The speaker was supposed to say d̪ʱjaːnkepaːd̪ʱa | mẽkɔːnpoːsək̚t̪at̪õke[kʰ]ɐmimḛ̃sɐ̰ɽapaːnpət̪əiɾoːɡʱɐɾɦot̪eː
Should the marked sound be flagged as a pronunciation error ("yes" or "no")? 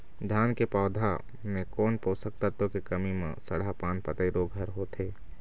yes